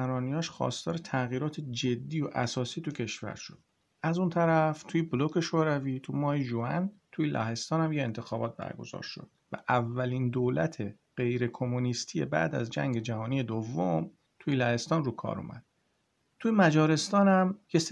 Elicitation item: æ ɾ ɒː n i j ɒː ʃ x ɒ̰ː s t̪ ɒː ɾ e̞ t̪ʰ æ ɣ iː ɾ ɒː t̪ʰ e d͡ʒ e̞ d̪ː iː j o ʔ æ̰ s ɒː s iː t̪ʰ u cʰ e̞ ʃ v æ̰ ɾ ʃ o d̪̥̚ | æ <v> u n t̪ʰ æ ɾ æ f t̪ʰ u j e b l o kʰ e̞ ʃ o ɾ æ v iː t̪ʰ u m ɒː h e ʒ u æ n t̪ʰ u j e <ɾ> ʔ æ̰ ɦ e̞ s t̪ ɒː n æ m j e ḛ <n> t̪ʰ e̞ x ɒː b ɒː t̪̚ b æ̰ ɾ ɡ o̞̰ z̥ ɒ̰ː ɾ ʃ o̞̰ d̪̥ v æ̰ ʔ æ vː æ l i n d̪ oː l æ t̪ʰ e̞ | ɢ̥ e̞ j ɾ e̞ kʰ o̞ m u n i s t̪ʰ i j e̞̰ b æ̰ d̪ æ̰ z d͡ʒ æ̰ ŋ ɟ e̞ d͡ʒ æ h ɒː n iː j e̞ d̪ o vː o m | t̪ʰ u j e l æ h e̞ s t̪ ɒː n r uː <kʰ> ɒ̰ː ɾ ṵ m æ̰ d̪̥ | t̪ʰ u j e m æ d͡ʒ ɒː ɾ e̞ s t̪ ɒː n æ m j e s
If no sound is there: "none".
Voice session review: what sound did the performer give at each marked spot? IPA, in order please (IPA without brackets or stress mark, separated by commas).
z, l, n, kʰ